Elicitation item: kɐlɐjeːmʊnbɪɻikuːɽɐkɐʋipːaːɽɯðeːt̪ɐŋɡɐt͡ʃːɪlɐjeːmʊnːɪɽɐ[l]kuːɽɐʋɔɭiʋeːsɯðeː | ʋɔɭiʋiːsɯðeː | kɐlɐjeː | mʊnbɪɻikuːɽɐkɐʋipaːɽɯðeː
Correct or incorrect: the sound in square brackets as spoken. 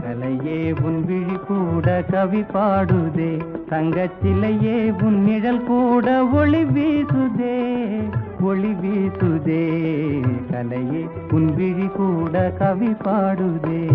correct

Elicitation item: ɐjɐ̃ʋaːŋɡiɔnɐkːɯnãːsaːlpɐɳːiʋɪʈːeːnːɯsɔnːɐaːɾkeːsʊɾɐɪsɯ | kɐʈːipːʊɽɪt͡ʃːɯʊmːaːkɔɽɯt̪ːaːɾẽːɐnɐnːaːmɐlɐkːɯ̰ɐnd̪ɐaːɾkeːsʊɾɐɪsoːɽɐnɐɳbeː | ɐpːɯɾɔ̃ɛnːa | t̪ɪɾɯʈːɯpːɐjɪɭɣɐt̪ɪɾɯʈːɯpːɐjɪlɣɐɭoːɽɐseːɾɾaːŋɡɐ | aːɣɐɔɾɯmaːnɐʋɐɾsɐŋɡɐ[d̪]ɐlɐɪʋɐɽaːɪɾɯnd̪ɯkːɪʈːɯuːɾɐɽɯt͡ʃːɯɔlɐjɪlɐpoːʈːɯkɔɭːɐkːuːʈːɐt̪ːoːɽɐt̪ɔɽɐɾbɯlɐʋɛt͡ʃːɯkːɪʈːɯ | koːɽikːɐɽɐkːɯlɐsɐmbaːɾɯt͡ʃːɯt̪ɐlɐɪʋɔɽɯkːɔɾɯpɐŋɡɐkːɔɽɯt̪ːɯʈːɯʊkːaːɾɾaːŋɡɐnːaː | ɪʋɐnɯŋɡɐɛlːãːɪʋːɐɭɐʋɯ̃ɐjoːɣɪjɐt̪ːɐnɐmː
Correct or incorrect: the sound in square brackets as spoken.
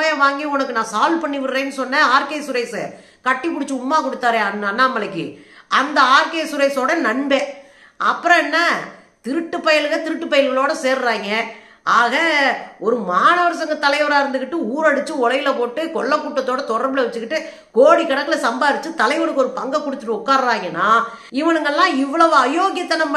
incorrect: t̪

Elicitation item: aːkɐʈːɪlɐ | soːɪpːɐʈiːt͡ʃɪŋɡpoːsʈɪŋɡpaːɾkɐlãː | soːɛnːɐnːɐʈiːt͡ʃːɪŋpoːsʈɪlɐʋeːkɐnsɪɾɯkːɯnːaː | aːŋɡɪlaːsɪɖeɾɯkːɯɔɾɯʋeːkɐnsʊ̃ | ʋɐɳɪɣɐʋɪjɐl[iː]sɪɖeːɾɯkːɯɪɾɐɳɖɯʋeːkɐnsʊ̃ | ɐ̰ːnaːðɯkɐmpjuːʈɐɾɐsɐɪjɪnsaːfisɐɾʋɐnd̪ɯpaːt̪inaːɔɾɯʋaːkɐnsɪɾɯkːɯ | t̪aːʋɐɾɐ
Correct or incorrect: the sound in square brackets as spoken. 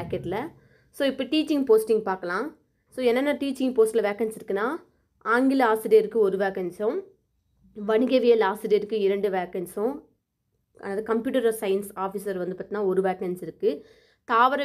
incorrect: aː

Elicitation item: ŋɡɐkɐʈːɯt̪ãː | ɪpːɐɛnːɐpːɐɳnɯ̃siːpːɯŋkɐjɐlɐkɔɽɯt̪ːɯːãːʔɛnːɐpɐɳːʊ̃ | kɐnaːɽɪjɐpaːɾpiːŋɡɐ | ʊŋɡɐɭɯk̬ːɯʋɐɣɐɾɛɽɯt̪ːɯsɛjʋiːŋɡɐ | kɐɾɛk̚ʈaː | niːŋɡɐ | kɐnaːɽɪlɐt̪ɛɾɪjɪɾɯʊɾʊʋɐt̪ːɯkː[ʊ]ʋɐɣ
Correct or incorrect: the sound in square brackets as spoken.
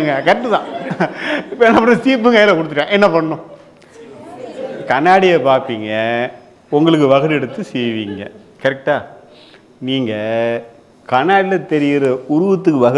incorrect: ɯ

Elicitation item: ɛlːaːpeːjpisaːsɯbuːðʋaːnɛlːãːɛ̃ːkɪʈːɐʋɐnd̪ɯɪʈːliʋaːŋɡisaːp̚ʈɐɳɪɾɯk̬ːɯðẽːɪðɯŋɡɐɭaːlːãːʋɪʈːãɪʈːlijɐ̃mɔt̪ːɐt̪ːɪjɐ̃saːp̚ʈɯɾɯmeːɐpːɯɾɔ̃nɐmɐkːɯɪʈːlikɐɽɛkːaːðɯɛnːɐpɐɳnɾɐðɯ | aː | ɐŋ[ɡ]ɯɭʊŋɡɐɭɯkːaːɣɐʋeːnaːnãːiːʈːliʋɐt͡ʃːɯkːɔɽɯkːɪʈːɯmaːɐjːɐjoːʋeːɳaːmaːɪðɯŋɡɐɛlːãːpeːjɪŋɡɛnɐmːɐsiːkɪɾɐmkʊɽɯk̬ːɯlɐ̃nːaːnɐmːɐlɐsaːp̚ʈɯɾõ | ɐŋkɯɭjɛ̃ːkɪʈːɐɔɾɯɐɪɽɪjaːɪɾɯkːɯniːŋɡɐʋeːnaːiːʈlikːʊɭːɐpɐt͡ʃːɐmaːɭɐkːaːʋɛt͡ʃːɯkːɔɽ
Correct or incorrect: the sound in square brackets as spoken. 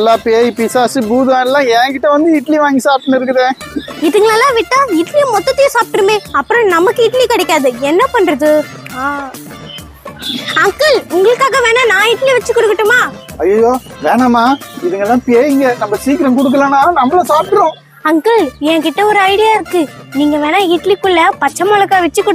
incorrect: k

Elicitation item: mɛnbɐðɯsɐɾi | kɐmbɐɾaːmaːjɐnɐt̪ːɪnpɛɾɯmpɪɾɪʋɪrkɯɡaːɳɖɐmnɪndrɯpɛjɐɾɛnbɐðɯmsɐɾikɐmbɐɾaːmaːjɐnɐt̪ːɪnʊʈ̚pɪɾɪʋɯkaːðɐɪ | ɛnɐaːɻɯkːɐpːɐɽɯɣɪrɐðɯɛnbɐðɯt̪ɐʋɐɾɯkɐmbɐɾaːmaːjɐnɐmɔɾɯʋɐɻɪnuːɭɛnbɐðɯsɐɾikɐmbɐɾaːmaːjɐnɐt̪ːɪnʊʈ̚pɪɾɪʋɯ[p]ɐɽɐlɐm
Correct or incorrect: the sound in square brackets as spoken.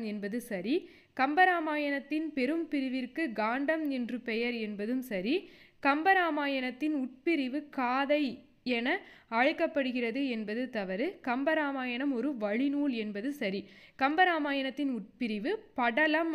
correct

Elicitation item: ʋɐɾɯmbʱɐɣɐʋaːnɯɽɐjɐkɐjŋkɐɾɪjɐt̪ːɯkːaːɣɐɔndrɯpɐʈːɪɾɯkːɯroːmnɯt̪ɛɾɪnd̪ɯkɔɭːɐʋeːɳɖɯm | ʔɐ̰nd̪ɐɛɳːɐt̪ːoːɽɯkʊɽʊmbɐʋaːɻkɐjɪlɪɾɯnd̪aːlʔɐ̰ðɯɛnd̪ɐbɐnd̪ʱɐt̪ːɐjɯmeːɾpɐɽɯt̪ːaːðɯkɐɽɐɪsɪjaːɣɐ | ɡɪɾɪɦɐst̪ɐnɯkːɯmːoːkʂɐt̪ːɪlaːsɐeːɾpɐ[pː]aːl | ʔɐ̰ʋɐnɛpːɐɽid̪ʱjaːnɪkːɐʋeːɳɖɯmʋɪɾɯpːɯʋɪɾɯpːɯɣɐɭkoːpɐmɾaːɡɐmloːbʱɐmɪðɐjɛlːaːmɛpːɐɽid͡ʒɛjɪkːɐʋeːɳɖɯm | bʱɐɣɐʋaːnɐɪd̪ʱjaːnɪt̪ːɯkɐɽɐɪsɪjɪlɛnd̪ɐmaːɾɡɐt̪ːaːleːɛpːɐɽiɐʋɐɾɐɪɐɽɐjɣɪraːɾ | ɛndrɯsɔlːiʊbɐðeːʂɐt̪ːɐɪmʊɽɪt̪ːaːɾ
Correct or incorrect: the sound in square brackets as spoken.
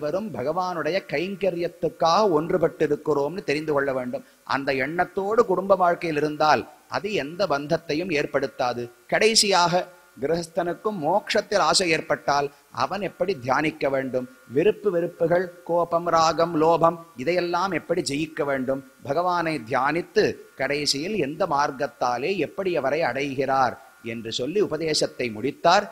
incorrect: ʈː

